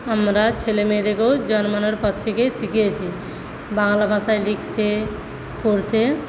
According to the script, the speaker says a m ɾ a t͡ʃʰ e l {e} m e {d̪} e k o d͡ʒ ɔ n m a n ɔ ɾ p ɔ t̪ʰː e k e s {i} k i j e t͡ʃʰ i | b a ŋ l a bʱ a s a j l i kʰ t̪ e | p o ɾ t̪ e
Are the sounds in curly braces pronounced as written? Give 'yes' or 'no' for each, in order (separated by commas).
yes, yes, yes